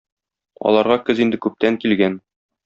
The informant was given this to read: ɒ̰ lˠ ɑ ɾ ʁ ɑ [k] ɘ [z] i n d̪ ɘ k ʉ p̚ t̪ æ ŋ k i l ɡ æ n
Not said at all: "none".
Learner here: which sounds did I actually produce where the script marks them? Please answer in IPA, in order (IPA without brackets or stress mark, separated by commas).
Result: k, z